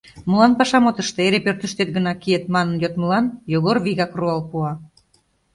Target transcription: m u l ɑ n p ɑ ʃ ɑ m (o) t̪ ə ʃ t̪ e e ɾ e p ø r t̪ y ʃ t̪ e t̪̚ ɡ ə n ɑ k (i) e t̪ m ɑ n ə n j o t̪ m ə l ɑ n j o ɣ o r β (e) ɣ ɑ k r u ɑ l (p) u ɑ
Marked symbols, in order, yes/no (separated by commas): yes, yes, no, yes